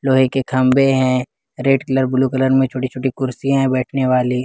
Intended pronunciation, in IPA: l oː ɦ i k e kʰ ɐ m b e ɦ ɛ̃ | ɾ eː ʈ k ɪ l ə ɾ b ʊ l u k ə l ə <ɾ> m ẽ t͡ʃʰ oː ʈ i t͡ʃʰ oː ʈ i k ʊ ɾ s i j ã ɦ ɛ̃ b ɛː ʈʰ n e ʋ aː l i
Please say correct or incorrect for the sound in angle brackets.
correct